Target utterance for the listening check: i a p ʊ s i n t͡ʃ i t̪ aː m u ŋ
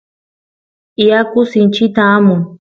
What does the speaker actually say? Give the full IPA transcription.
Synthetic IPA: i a k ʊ s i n t͡ʃ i t̪ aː m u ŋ